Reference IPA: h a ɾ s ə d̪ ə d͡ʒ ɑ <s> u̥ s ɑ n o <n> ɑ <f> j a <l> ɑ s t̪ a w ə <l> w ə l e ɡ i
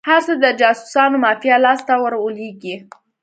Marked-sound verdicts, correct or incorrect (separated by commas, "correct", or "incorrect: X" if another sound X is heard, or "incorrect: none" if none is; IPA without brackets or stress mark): correct, incorrect: m, correct, correct, incorrect: ɾ